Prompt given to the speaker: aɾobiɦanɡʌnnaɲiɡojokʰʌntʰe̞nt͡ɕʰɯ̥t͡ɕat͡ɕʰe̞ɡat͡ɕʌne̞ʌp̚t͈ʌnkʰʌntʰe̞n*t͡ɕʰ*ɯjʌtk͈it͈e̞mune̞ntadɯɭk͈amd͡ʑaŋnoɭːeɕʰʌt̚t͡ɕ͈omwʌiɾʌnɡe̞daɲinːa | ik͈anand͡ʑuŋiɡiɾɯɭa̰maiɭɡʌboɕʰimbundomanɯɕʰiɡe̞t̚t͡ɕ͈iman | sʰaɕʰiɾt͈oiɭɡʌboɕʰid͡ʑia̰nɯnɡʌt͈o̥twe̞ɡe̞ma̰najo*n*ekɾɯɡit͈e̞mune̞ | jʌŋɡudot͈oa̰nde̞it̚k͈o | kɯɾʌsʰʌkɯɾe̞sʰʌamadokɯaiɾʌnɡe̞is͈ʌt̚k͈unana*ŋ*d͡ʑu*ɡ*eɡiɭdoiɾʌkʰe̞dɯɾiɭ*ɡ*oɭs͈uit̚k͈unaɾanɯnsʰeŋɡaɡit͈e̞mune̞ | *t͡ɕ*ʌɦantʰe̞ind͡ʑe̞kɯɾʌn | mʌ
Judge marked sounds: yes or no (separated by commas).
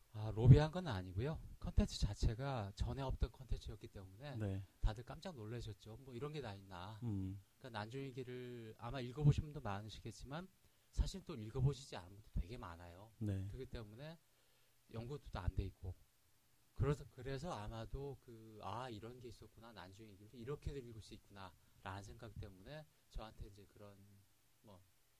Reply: yes, yes, no, no, yes, yes